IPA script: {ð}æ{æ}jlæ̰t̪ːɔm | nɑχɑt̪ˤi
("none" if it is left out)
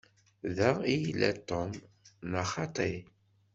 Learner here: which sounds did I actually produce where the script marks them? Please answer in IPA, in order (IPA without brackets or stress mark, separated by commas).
ð, i